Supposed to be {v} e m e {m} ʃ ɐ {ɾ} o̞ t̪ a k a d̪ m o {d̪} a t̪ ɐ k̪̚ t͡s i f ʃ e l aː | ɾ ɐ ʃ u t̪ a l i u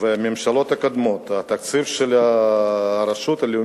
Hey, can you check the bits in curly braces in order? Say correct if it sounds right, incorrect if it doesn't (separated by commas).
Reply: correct, correct, incorrect, incorrect